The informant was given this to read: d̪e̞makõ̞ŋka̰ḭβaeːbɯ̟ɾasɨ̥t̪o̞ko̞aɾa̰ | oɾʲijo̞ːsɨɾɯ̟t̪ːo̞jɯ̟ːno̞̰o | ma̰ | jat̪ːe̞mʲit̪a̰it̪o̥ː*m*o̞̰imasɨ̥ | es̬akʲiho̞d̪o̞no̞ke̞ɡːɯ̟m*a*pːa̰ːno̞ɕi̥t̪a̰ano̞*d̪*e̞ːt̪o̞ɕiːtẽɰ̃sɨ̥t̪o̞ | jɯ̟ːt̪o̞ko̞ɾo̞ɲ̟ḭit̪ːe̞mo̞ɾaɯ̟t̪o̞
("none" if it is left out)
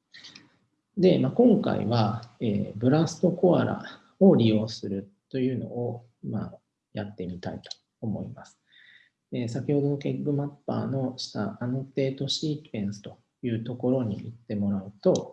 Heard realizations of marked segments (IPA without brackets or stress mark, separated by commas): m, a, t̪